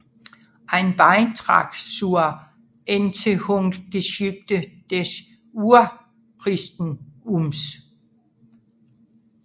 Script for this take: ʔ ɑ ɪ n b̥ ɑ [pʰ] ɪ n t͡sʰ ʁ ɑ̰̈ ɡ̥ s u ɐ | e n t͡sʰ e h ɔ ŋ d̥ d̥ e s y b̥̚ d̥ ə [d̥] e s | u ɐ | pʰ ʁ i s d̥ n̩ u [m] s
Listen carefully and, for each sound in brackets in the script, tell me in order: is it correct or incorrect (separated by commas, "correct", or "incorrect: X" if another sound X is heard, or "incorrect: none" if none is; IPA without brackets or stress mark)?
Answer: incorrect: none, correct, correct